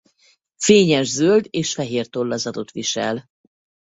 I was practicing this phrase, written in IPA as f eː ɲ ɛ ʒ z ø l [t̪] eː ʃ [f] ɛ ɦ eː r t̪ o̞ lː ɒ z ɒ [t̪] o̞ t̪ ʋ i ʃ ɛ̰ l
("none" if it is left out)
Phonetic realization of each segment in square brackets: d̪, f, d̪

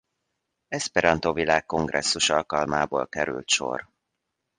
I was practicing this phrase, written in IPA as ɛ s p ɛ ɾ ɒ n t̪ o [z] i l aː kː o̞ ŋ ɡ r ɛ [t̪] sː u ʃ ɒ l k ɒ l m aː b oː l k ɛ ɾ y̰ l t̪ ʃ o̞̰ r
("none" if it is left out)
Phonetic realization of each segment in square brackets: v, none

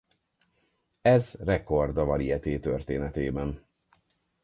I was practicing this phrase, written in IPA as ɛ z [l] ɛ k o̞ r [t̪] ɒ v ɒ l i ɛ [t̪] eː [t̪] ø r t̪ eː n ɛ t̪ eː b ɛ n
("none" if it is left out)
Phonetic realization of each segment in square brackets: r, d̪, t̪, t̪

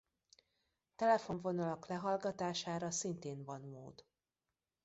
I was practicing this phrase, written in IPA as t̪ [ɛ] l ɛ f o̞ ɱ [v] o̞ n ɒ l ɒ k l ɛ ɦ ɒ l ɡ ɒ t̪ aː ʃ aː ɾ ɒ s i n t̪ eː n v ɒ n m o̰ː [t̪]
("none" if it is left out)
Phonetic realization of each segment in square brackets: ɛ, v, d̪

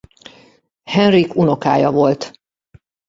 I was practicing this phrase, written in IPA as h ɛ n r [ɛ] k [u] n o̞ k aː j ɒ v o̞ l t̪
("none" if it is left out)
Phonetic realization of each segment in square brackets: i, u

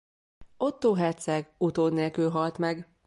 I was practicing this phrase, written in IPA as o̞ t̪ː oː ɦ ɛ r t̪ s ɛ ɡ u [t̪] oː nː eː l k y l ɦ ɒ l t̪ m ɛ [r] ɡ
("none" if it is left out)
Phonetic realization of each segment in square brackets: t̪, none

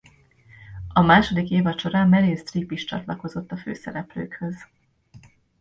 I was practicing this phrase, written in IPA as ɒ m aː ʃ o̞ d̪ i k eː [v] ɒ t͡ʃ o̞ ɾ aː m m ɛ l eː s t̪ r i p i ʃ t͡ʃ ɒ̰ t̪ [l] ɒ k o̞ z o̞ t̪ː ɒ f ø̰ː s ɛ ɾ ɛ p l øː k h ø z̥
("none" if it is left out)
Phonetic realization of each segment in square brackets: v, l

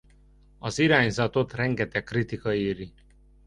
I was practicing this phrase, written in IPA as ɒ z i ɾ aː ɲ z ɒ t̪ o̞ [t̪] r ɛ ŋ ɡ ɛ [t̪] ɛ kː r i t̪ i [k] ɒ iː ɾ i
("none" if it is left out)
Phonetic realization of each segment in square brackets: t̪, t̪, k

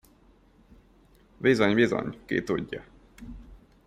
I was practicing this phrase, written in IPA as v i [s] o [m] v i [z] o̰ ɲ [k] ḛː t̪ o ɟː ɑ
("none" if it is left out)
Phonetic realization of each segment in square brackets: z, ɲ, z, k

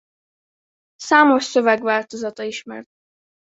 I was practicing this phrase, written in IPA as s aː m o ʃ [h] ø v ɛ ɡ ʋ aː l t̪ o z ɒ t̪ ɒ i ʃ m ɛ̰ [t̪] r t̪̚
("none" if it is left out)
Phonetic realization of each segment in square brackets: s, none

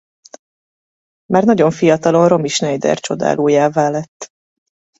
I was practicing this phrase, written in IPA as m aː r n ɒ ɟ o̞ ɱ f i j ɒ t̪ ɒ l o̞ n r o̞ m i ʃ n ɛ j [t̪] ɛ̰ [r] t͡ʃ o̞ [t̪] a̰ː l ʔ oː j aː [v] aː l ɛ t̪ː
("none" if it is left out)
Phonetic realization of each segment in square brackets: d̪, r, d̪, v

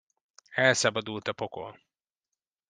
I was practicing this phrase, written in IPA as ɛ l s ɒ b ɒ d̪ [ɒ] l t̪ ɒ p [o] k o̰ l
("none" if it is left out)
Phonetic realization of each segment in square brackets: u, o

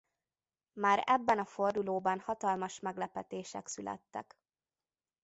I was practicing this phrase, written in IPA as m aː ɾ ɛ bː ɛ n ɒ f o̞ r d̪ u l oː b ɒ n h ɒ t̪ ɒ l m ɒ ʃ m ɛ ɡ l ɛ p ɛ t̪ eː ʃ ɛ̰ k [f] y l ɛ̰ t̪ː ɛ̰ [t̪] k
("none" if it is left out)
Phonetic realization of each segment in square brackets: s, none

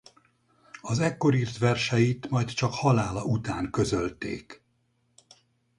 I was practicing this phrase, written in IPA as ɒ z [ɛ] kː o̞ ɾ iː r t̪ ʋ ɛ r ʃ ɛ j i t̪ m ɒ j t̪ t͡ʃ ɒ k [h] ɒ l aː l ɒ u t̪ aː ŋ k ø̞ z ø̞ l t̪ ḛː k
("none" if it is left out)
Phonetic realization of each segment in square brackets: ɛ, h

